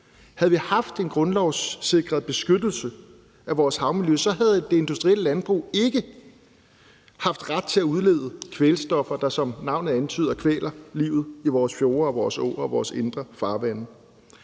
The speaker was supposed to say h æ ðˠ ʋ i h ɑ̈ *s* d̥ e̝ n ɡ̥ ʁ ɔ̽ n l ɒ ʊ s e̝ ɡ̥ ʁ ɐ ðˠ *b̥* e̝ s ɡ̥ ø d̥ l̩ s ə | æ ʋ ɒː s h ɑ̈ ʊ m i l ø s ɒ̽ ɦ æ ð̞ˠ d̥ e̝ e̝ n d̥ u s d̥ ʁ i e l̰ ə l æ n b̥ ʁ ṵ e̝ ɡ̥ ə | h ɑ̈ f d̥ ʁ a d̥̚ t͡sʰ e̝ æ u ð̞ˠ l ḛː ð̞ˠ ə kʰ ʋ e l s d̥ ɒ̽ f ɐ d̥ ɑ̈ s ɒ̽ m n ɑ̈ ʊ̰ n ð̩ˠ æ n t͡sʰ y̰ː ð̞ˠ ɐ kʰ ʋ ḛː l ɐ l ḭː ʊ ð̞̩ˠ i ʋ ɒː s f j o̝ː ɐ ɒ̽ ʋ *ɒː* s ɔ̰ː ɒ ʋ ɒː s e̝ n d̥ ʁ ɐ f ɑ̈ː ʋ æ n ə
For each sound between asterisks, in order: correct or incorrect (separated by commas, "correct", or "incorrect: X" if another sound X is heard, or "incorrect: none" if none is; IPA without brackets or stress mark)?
incorrect: f, correct, correct